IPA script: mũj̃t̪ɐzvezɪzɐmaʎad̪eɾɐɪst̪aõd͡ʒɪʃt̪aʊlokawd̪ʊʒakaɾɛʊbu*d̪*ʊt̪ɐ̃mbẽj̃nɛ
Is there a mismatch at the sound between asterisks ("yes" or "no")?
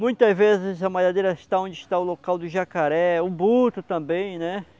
yes